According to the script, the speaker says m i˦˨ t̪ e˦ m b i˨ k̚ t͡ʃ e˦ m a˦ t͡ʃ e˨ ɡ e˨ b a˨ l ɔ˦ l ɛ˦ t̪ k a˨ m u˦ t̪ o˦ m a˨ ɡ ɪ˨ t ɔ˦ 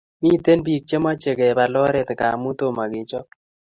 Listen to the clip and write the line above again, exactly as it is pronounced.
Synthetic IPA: m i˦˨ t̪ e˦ n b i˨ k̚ t͡ʃ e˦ m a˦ t͡ʃ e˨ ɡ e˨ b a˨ l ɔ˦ ɾ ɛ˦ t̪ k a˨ m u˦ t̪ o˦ m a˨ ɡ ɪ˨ t͡ʃ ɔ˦